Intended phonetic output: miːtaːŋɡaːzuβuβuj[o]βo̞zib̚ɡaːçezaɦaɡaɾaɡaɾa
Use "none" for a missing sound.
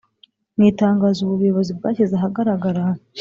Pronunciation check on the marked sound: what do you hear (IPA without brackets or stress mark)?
o